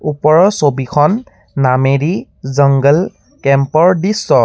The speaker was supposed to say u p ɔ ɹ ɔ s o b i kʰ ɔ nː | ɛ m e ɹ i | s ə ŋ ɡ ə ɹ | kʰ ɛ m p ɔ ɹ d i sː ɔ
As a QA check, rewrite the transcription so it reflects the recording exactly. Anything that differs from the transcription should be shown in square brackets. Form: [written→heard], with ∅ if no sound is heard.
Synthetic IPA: u p ɔ ɹ ɔ s o b i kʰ ɔ nː | [ɛ→a] m e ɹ i | [s→z] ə ŋ ɡ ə [ɹ→l] | [kʰ→k] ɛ m p ɔ ɹ d i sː ɔ

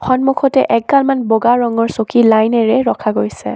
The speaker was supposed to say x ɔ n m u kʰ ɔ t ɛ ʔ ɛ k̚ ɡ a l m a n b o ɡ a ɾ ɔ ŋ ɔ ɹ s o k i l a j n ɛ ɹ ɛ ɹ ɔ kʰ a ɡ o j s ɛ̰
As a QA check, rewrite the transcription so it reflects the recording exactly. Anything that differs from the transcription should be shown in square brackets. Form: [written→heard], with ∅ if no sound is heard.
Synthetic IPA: x ɔ n m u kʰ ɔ t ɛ ʔ ɛ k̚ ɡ a l m a n b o ɡ a [ɾ→ɹ] ɔ ŋ ɔ ɹ s o k i l a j n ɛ ɹ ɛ ɹ ɔ kʰ a ɡ o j s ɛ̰

